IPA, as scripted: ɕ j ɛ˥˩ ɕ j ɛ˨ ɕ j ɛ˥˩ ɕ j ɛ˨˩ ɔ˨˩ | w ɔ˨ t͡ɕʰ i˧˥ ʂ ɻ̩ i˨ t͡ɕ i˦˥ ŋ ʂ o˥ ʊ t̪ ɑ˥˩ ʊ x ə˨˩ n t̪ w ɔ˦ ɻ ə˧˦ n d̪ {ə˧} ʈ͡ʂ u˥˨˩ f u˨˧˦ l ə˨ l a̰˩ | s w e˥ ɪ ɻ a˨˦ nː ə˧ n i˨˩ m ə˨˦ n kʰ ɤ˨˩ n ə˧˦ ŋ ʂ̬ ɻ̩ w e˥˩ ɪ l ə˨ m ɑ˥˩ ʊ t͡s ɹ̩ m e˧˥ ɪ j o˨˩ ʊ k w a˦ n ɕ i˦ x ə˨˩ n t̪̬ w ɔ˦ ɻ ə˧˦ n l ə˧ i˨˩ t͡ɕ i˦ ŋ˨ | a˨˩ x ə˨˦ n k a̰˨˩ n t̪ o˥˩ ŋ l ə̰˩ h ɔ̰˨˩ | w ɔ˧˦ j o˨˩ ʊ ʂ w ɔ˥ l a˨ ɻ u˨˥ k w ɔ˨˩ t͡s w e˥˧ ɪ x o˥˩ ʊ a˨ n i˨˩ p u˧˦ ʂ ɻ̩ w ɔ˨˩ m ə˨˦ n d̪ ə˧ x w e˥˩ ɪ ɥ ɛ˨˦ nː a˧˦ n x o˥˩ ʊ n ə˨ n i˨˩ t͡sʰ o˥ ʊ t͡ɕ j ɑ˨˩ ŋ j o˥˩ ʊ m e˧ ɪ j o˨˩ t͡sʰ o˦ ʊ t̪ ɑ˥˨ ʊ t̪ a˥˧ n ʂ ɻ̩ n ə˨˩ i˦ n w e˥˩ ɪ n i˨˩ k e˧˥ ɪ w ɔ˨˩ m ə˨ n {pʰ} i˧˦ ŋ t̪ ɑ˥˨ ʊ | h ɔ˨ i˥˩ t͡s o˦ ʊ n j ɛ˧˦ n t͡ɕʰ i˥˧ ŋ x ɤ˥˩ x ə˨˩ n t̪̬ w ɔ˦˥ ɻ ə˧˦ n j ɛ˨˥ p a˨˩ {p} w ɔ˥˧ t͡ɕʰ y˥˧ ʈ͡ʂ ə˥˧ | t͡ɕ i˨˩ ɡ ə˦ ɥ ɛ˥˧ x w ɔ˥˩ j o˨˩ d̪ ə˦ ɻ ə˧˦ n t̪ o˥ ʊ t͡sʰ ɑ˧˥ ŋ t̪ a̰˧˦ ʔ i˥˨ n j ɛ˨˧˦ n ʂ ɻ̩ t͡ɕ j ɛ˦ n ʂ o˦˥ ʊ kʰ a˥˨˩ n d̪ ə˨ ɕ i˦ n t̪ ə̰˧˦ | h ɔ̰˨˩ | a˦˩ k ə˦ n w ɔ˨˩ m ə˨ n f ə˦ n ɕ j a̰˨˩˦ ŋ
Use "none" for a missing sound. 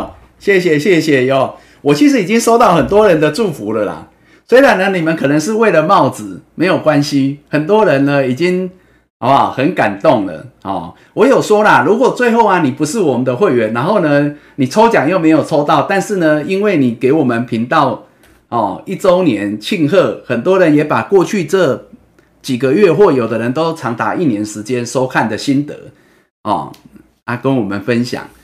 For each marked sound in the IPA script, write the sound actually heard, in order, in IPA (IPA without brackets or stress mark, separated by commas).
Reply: ə˧, pʰ, k